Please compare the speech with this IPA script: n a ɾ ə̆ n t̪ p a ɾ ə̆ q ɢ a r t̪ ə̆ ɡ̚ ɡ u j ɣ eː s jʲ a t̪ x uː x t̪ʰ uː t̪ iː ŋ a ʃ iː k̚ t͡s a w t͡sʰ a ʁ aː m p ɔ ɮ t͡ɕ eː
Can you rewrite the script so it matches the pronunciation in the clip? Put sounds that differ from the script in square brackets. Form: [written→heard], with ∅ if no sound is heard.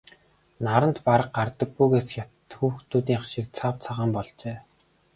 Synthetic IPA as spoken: n a ɾ ə̆ n t̪ p a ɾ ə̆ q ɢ a r t̪ ə̆ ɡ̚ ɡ u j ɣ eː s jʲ a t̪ x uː x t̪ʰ uː t̪ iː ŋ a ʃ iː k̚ [t͡s→t͡sʰ] a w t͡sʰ a ʁ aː m p ɔ ɮ t͡ɕ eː